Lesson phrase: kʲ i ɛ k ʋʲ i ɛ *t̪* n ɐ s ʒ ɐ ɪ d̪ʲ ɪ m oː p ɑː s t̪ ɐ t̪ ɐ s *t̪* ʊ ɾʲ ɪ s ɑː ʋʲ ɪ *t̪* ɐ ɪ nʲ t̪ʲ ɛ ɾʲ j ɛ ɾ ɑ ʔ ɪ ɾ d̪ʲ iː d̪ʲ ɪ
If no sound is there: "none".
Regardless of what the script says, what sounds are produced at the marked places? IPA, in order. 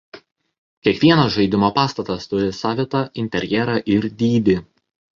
none, t̪, t̪

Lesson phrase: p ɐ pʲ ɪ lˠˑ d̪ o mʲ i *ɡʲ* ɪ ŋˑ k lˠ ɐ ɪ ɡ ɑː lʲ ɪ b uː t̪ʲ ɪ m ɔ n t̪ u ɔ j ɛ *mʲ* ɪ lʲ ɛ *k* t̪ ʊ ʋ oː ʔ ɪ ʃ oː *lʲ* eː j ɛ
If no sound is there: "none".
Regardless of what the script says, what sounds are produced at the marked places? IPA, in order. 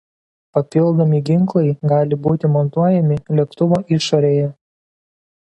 ɡʲ, mʲ, k, ɾʲ

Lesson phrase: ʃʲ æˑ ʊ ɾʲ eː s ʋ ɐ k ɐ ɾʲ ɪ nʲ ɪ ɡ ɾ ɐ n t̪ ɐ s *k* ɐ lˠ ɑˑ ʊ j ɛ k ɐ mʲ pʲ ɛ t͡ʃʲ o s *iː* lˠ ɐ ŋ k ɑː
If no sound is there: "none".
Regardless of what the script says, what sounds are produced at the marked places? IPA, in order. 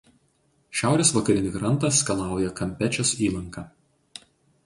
k, iː

